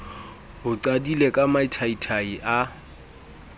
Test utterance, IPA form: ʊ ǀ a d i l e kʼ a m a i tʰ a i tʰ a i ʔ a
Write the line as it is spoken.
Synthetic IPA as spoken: ʊ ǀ a d i l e kʼ a m a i tʰ a i tʰ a i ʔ a